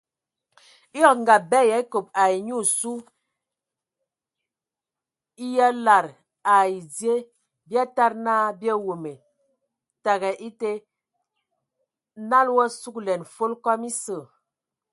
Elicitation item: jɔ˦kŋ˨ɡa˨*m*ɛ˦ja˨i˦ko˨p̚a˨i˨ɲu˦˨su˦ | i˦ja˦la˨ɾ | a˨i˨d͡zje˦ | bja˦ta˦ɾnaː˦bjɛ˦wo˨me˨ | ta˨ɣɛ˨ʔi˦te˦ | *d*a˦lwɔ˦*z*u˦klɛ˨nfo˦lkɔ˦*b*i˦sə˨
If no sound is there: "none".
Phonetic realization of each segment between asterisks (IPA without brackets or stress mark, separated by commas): b, n, s, m